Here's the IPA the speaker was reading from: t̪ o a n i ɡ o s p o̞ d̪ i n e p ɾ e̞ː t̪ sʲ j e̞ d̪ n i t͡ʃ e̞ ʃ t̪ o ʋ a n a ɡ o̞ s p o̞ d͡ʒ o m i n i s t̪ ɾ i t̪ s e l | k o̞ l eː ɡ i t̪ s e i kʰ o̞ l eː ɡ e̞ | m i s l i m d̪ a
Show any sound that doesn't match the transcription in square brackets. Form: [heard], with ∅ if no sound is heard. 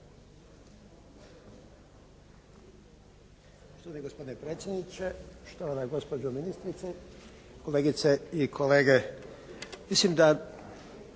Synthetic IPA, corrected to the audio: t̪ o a n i ɡ o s p o̞ d̪ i n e p ɾ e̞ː t̪ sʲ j e̞ d̪ n i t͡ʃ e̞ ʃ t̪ o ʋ a n a ɡ o̞ s p o̞ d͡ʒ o m i n i s t̪ ɾ i t̪ s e [∅] | k o̞ l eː ɡ i t̪ s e i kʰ o̞ l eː ɡ e̞ | m i s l i m d̪ a